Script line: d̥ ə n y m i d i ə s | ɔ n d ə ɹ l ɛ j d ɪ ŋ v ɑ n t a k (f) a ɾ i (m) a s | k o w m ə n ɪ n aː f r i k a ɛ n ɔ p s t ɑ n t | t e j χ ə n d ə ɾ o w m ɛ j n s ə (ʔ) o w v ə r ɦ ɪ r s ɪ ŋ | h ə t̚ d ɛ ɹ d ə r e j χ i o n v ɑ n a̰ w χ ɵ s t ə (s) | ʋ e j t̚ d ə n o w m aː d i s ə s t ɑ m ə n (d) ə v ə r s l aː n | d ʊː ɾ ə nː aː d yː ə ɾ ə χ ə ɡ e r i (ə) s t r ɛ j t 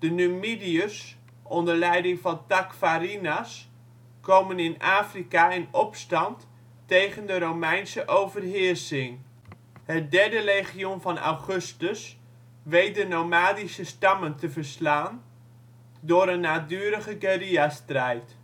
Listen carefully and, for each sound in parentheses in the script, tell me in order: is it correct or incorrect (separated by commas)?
correct, incorrect, correct, correct, incorrect, incorrect